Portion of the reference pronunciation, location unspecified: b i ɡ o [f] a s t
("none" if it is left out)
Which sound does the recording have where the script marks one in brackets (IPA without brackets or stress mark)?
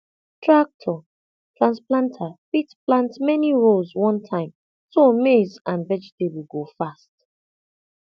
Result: f